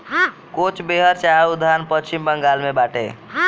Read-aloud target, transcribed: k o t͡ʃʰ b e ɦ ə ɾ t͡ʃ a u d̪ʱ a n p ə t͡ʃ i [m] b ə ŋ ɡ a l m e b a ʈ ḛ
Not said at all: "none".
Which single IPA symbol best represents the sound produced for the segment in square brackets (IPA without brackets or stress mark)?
m